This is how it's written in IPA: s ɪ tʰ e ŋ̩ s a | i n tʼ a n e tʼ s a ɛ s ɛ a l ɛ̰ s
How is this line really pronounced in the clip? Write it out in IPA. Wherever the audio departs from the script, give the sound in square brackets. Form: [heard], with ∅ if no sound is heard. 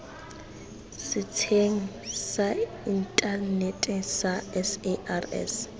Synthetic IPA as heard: s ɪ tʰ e ŋ̩ s a | i n tʼ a n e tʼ s a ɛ s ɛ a [r] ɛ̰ s